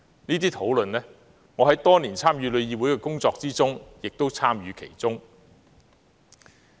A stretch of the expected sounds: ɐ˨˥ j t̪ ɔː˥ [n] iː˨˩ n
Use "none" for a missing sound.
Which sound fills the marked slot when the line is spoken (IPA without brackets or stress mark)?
n